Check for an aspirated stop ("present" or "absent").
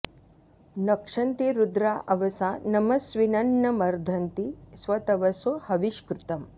absent